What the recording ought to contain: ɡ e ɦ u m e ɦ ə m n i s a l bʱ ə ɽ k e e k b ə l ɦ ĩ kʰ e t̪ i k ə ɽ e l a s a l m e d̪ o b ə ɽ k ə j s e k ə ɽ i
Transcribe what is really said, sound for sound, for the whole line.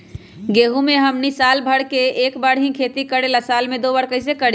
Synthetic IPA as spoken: ɡ e ɦ u m e ɦ ə m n i s a l bʱ ə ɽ k e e k b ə ɽ ɦ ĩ kʰ e t̪ i k ə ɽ e l a s a l m e d̪ o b ə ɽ k ə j s e k ə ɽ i